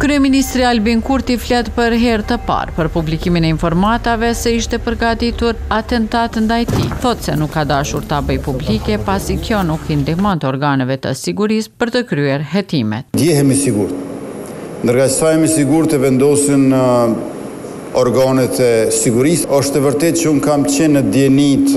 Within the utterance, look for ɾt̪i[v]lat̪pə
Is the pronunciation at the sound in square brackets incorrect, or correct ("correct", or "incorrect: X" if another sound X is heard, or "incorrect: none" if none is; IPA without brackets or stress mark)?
incorrect: f